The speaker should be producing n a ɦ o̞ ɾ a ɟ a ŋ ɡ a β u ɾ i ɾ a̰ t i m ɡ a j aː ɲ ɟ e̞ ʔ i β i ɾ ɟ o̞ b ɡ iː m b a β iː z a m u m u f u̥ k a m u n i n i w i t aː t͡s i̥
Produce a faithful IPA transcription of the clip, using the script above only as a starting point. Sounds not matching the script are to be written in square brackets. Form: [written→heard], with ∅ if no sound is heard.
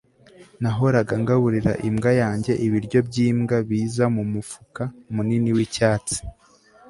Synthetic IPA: n a ɦ o̞ ɾ a [ɟ→ɡ] a ŋ ɡ a β u ɾ i ɾ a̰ [t→ʔ] i m ɡ a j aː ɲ ɟ e̞ ʔ i β i ɾ ɟ o̞ b [ɡ→ɟ] iː m [b→ɡ] a β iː z a m u m u f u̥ k a m u n i n i w i [t→c] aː t͡s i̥